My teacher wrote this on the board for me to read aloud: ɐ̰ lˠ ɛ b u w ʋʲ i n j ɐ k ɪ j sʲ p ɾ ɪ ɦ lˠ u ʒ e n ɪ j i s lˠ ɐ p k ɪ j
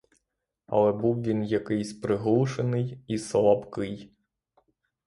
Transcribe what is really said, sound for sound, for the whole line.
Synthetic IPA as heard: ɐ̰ lˠ ɛ b u w ʋʲ i n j ɐ k ɪ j sʲ p ɾ ɪ ɦ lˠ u ʃ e n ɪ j i s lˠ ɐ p k ɪ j

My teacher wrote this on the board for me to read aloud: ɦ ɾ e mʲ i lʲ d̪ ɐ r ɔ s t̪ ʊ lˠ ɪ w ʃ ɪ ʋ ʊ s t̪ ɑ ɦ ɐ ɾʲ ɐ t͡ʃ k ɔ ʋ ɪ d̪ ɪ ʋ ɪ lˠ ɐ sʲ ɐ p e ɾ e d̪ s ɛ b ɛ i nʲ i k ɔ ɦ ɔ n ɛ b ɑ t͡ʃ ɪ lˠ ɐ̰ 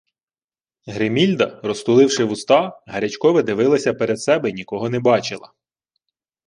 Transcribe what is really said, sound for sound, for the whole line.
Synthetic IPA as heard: ɦ ɾ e mʲ i lʲ d̪ ɐ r ɔ s t̪ ʊ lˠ ɪ w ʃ ɪ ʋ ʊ s t̪ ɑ ɦ ɐ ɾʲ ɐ t͡ʃ k ɔ ʋ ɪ d̪ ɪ ʋ ɪ lˠ ɐ sʲ ɐ p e ɾ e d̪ s ɛ b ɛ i nʲ i k ɔ ɦ ɔ n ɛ b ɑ t͡ʃ ɪ lˠ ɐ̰

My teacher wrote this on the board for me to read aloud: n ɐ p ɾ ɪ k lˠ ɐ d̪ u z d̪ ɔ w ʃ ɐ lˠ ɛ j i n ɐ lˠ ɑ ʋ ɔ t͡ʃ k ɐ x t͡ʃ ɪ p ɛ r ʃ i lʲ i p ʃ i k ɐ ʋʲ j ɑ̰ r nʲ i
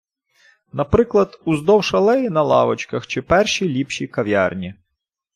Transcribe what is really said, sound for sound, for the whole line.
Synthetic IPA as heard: n ɐ p ɾ ɪ k lˠ ɐ d̪ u z d̪ ɔ w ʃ ɐ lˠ ɛ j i n ɐ lˠ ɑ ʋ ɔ t͡ʃ k ɐ x t͡ʃ ɪ p ɛ r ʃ i lʲ i p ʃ i k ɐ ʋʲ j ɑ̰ r nʲ i

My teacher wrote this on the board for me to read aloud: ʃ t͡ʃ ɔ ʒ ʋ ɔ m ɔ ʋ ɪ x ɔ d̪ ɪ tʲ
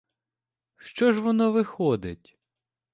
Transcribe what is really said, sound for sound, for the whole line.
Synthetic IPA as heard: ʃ t͡ʃ ɔ ʒ ʋ ɔ n ɔ ʋ ɪ x ɔ d̪ ɪ tʲ

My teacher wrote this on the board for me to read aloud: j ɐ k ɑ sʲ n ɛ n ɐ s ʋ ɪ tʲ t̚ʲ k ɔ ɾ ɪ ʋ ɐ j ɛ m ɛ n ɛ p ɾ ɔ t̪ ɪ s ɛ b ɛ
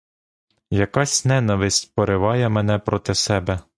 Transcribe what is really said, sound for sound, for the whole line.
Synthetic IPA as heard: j ɐ k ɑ sʲ n ɛ n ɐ ʋ ɪ sʲ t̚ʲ p ɔ ɾ ɪ ʋ ɑ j ɛ m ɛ n ɛ p ɾ ɔ t̪ ɪ s ɛ b ɛ

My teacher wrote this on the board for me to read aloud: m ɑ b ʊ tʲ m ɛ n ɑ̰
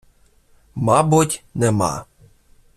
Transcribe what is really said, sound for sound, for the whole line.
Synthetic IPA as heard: m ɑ b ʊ tʲ n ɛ m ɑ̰

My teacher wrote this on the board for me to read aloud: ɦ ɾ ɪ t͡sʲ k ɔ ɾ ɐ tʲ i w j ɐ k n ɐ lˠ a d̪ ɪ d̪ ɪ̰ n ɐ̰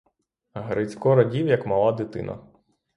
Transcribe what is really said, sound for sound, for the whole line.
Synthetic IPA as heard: ɦ ɾ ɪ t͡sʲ k ɔ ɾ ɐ dʲ i w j ɐ k m ɐ lˠ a d̪ ɪ t̪ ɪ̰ n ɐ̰

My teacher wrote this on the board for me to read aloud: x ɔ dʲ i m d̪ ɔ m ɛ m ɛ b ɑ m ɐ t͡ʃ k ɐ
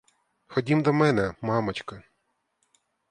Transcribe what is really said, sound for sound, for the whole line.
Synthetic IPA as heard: x ɔ dʲ i m d̪ ɔ m ɛ n ɛ m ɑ m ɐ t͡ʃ k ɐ

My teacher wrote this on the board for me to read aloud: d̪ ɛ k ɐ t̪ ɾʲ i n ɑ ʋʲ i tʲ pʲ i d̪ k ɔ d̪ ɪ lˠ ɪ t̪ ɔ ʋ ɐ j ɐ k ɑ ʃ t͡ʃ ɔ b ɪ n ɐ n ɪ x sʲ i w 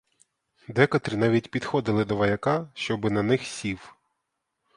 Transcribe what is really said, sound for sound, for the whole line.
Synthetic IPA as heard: d̪ ɛ k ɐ t̪ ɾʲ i n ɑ ʋʲ i tʲ pʲ i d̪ x ɔ d̪ ɪ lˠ ɪ d̪ ɔ ʋ ɐ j ɐ k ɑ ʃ t͡ʃ ɔ b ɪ n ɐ n ɪ x sʲ i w

